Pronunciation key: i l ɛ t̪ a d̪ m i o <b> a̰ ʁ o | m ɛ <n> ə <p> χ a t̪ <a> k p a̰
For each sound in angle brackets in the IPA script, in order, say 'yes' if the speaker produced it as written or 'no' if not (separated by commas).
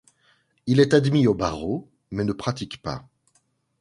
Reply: yes, yes, yes, no